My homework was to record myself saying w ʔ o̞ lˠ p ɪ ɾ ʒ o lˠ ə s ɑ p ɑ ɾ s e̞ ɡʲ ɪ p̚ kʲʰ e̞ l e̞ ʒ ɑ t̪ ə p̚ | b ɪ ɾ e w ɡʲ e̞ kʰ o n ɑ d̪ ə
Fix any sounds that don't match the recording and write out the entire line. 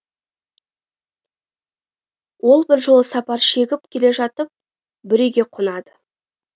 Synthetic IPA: w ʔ o̞ lˠ b ɪ ɾ ʒ o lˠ ə s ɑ p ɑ ɾ ʃ e̞ ɡʲ ɪ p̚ kʲʰ e̞ l e̞ ʒ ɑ t̪ ə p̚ | b ɪ ɾ e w ɡʲ e̞ qʰ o n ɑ d̪ ə